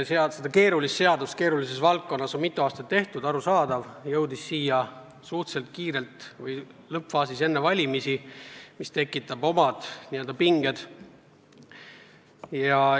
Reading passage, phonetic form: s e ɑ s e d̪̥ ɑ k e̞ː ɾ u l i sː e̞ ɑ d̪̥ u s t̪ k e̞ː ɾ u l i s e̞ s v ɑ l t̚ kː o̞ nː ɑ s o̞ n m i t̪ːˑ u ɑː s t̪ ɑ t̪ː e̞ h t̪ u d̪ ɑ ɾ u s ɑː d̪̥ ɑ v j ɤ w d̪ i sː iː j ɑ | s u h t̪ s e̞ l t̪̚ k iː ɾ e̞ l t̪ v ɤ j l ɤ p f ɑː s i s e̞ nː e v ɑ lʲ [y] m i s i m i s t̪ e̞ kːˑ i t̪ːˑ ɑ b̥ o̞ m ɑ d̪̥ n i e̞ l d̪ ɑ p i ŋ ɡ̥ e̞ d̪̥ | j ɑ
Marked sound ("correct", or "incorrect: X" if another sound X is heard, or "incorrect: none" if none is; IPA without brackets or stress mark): incorrect: i